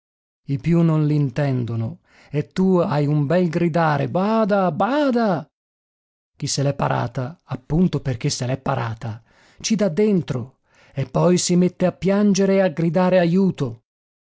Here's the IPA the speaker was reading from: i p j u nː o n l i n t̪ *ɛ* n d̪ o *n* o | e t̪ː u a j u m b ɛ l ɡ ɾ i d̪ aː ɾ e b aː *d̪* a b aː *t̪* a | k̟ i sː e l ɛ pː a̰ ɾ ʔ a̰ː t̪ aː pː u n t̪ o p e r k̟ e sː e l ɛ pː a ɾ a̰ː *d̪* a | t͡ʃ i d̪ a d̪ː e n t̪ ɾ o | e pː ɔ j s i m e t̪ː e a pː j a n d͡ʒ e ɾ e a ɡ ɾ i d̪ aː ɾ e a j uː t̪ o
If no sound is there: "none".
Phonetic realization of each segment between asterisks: ɛ, n, d̪, d̪, t̪

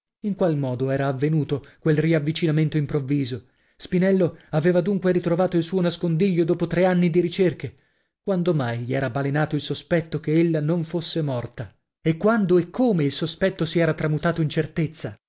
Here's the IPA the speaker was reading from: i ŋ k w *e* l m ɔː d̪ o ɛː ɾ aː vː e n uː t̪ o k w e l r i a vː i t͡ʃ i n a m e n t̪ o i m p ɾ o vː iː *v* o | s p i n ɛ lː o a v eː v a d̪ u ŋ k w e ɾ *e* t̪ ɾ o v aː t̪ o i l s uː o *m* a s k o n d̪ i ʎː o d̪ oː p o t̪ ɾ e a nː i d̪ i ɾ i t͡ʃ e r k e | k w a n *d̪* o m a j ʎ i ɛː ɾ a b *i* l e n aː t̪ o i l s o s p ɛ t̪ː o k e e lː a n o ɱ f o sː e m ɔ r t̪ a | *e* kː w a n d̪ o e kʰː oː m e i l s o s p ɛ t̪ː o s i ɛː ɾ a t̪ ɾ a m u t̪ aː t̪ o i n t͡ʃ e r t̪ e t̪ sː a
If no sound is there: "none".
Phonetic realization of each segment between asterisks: a, z, i, n, d̪, a, e

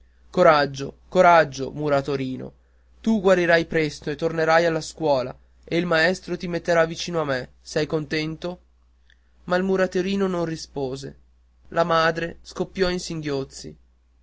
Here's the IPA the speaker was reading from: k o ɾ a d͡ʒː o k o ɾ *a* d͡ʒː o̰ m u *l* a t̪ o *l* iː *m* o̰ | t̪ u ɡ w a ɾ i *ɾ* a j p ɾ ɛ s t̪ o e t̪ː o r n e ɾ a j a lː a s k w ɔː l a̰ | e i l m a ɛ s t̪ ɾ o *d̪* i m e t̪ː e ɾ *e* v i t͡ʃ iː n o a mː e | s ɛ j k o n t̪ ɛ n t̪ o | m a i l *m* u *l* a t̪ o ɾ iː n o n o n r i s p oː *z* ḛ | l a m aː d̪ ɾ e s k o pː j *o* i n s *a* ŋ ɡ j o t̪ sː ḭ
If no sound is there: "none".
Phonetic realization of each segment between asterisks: a, ɾ, ɾ, n, ɾ, t̪, a, m, ɾ, z, ɔ, i

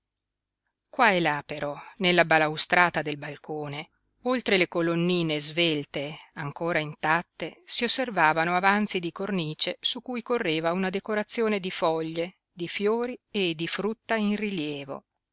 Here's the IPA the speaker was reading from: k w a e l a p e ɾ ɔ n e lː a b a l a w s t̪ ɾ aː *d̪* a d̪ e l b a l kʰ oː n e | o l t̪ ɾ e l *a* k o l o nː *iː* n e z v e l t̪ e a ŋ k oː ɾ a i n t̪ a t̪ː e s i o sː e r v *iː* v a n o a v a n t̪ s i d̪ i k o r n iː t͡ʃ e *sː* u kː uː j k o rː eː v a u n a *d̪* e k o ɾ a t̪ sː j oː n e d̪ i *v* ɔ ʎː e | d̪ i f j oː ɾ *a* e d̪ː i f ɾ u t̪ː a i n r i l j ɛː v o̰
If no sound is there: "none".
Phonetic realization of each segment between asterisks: t̪, e, iː, aː, s, d̪, f, i

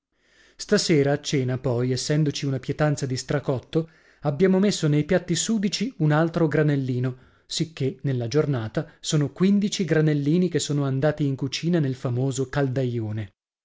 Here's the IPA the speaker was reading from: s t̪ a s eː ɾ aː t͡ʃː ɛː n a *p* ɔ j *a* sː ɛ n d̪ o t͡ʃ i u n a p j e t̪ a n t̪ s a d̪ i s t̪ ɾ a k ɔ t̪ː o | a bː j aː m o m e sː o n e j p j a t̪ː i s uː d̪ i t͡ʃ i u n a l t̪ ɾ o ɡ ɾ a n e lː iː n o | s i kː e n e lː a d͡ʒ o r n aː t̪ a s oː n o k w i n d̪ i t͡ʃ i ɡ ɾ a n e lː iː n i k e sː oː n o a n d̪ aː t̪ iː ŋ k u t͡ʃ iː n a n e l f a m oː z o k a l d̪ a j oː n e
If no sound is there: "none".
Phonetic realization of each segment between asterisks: p, e

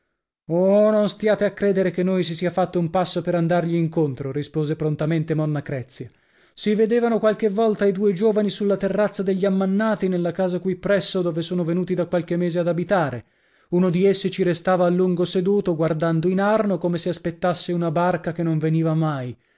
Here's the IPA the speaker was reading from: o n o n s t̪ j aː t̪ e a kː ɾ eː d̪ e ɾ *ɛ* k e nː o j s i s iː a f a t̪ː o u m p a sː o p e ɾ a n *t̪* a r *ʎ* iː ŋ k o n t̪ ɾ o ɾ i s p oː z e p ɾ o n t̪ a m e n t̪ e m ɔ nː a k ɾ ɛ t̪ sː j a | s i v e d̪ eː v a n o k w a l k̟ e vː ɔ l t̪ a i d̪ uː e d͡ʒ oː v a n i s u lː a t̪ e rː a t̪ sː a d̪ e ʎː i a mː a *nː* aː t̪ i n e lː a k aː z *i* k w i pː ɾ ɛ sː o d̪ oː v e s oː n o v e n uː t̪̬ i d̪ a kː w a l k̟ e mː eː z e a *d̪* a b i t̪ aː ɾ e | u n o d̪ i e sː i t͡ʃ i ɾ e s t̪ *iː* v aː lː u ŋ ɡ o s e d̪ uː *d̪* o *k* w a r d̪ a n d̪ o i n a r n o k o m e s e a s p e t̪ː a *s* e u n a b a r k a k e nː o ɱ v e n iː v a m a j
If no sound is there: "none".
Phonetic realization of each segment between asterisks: e, d̪, ʎ, nː, a, d̪, aː, t̪, ɡ, sː

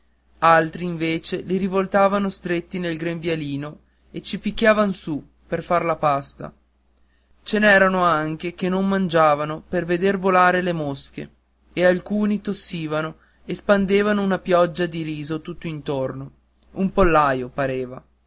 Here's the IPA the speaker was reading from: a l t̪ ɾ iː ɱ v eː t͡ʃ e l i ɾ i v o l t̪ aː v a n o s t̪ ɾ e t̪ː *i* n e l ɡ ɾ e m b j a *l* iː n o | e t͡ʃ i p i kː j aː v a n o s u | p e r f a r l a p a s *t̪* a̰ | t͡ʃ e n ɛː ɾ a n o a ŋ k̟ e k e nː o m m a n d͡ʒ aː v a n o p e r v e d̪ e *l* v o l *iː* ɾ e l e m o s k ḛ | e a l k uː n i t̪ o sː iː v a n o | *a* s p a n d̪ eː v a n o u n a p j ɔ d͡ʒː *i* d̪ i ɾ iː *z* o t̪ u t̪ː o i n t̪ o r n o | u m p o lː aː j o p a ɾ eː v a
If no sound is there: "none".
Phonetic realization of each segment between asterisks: i, l, t̪, r, aː, e, a, z

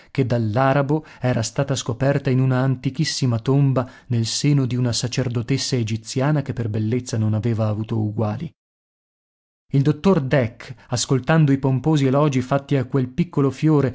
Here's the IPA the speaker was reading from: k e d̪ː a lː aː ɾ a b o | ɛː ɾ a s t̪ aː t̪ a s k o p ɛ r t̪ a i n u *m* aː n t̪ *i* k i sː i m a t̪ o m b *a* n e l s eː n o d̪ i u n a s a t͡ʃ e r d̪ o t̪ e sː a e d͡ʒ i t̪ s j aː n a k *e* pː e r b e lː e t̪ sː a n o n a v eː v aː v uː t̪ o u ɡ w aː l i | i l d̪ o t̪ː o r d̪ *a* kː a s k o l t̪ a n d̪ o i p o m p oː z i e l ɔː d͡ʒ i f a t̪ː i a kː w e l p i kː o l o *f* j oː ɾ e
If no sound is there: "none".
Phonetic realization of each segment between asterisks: n, i, a, e, ɛ, f

